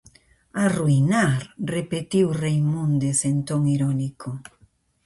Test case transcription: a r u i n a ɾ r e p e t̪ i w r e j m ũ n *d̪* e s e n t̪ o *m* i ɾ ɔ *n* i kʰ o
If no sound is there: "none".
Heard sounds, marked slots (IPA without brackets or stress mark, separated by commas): d̪, ŋ, n